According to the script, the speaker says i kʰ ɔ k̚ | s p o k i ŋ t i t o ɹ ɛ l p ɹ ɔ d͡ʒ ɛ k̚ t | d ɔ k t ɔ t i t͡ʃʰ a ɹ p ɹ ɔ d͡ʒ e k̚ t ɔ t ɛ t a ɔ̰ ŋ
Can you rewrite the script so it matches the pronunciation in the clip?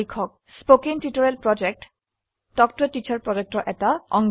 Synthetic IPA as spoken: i kʰ ɔ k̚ | s p o k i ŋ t i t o ɹ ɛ l p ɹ ɔ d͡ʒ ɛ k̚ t | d ɔ k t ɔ t i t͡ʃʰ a ɹ p ɹ ɔ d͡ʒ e k̚ t ɔ ʔ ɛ t a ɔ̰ ŋ